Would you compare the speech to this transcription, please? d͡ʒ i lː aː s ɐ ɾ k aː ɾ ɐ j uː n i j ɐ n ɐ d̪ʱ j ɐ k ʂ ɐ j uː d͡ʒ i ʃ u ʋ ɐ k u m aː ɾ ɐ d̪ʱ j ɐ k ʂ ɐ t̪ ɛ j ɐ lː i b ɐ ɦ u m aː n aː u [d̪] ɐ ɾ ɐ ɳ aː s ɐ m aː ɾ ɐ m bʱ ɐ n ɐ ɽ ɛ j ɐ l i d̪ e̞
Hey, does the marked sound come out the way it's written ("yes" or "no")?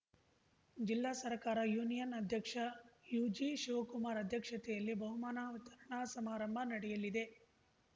no